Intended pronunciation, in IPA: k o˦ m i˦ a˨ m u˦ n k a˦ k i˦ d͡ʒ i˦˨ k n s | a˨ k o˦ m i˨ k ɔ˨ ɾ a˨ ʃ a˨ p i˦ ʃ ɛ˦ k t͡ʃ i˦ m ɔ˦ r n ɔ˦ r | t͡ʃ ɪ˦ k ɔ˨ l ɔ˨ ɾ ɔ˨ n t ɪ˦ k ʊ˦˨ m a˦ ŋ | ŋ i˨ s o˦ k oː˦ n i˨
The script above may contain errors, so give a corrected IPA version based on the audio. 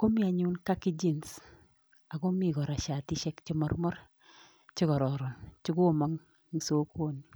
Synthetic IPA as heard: k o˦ m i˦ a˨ ɲ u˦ n k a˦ k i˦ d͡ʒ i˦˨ n s | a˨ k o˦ m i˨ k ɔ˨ ɾ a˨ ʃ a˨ t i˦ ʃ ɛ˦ k t͡ʃ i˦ m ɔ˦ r m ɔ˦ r | t͡ʃ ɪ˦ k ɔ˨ ɾ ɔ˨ ɾ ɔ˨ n t͡ʃ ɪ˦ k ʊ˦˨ m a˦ ŋ | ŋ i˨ s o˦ k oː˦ n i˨

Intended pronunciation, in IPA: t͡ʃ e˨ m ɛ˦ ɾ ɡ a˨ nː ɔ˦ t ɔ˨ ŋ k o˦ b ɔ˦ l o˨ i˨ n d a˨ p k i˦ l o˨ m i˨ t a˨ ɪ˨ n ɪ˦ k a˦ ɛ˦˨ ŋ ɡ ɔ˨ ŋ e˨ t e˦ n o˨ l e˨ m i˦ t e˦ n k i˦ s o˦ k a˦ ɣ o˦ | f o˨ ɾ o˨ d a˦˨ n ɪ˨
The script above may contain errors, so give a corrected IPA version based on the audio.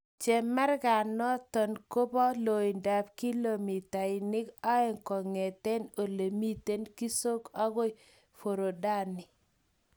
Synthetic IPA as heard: t͡ʃ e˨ m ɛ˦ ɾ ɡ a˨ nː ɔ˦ t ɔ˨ n k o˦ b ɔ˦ l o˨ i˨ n d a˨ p k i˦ l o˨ m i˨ t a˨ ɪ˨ n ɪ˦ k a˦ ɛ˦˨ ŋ k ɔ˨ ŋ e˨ t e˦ n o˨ l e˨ m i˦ t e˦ n k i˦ s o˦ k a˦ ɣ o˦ | f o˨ ɾ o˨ d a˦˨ n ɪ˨

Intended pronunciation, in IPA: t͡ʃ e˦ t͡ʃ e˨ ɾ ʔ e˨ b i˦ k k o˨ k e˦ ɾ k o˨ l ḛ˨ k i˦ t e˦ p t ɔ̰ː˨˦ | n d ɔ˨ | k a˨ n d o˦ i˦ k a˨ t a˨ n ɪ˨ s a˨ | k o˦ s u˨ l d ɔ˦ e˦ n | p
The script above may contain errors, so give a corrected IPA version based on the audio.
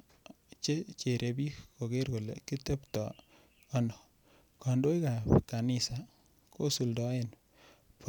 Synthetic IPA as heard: t͡ʃ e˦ t͡ʃ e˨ ɾ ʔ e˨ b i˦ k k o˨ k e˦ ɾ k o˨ l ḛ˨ k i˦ t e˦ p t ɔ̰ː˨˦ | n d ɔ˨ | k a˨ n d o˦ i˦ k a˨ k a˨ n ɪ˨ s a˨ | k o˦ s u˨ l d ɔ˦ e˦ n | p

